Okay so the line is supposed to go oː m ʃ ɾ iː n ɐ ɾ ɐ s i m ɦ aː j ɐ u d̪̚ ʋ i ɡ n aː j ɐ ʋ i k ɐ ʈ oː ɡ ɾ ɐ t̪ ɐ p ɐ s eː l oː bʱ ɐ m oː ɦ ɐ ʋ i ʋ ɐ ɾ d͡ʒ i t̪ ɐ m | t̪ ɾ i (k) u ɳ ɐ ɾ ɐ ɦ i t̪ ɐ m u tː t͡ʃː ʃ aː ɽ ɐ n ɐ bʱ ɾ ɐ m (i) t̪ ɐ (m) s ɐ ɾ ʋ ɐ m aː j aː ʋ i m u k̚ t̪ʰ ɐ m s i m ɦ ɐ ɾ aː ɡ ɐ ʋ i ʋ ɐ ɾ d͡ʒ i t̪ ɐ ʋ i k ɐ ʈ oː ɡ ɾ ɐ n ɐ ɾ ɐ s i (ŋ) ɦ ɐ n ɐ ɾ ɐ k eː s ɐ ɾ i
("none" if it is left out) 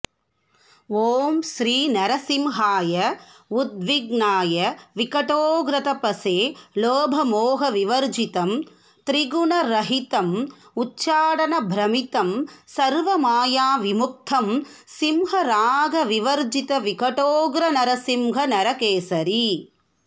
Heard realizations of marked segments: ɡ, i, m, m

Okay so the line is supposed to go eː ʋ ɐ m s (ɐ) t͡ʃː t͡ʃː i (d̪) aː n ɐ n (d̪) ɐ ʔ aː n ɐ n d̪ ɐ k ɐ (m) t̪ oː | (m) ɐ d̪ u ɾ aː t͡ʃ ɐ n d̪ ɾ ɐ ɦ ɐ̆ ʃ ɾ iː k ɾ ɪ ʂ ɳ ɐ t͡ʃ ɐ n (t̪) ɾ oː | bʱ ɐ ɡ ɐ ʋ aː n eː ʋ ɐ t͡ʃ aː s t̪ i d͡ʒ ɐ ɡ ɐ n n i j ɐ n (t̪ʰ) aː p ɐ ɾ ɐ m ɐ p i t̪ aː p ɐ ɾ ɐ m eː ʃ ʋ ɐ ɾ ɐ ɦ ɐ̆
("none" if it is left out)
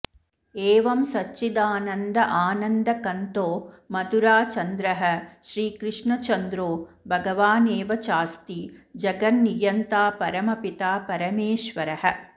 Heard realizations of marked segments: ɐ, d̪, d̪, n, m, d̪, t̪

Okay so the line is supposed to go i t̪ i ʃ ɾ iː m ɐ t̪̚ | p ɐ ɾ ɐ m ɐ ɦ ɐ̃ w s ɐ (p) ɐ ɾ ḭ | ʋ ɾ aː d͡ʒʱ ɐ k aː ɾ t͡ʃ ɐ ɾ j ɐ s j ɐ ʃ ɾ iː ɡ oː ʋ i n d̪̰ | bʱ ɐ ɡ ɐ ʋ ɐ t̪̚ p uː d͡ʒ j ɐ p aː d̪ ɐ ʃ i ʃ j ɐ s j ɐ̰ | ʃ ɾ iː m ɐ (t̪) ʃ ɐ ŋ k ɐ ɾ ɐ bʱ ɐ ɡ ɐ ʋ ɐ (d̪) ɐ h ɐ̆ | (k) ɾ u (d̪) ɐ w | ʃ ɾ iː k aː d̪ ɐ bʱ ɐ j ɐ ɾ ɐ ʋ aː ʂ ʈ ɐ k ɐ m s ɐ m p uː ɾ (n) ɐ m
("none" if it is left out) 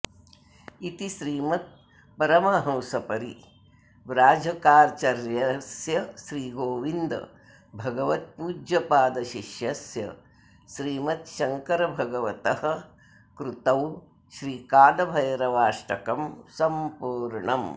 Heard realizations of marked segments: p, t̪, t̪, k, t̪, ɳ

